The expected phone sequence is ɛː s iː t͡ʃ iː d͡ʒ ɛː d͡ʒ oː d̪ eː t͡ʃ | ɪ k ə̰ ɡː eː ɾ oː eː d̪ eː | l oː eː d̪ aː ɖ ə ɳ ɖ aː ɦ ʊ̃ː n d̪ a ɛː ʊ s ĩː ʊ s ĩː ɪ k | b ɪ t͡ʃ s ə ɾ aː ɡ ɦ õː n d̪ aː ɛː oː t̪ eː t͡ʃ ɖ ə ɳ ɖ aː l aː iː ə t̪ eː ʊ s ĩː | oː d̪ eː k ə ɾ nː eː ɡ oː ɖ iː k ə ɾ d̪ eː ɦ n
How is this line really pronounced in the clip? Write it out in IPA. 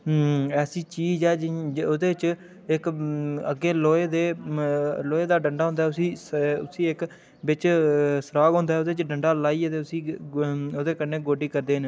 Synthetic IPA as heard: ɛː s iː t͡ʃ iː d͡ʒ ɛː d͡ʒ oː d̪ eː t͡ʃ | ɪ k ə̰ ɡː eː l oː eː d̪ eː | l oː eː d̪ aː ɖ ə ɳ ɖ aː ɦ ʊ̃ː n d̪ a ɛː ʊ s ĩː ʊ s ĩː ɪ k | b ɪ t͡ʃ s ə ɾ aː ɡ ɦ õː n d̪ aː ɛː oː d̪ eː t͡ʃ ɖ ə ɳ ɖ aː l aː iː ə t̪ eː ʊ s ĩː | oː d̪ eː k ə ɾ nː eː ɡ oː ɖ iː k ə ɾ d̪ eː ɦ n